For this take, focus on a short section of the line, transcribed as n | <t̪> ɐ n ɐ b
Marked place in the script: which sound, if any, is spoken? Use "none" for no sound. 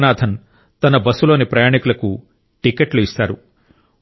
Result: t̪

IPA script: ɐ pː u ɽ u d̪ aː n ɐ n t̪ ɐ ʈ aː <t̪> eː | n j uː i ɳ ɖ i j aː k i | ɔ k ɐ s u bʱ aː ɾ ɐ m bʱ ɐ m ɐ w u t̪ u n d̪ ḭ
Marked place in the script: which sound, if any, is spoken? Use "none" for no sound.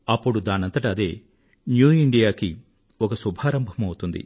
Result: d̪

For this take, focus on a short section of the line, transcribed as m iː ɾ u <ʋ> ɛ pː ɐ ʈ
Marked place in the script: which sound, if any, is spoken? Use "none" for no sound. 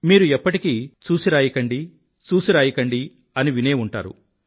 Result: none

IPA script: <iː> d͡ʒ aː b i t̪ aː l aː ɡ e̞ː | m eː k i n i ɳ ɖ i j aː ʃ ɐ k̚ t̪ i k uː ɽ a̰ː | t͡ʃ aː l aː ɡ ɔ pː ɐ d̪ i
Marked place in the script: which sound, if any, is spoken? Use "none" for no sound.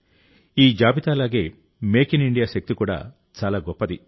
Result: iː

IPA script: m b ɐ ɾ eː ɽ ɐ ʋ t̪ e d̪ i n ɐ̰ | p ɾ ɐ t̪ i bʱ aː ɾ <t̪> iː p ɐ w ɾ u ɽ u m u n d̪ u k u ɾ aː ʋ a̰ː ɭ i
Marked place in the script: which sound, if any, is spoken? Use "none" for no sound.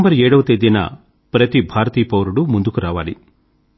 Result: t̪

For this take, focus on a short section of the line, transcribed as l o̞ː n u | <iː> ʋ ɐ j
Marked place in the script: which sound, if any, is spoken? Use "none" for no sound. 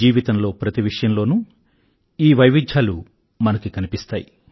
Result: iː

